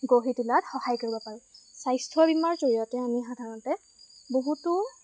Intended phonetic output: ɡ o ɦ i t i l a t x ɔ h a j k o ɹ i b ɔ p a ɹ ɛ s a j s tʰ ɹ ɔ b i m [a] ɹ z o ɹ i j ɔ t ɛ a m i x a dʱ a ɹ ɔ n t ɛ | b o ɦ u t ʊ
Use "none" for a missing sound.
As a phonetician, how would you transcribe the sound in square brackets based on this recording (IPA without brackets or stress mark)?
a